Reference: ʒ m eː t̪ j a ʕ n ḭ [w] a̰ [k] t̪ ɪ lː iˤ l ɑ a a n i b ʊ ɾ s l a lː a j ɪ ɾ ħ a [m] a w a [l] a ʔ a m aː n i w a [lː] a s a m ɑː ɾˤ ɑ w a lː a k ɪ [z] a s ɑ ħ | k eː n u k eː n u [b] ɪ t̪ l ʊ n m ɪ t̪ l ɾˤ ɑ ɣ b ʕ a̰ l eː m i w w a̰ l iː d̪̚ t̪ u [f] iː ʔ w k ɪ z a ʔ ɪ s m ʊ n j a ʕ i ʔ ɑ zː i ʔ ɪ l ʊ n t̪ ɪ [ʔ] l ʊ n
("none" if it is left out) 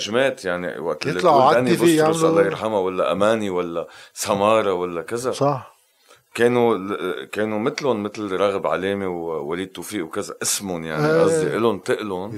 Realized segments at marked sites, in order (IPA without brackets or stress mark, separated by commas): w, ʔ, m, lː, lː, z, m, f, ʔ